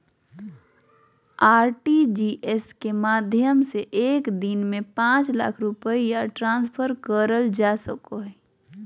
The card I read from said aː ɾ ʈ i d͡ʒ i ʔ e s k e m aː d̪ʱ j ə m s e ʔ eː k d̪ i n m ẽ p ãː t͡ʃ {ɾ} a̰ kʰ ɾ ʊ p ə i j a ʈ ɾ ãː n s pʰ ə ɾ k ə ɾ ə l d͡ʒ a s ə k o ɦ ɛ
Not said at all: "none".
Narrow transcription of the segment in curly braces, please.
l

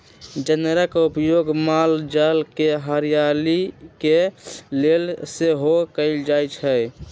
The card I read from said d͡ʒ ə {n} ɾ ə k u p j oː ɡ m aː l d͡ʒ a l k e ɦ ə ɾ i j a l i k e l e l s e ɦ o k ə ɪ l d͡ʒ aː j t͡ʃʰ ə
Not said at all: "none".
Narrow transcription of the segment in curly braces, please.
n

